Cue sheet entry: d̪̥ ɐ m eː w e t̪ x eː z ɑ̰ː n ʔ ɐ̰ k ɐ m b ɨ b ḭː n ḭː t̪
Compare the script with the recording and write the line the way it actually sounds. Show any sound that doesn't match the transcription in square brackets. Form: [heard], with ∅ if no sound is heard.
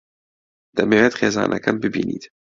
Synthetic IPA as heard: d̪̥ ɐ m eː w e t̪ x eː z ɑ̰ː n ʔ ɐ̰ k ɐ m b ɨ b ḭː n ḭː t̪